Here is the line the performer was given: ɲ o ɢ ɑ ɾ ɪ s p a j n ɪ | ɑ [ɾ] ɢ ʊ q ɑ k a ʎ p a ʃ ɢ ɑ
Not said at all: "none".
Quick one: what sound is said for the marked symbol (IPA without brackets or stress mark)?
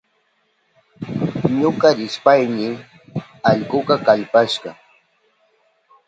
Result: ʎ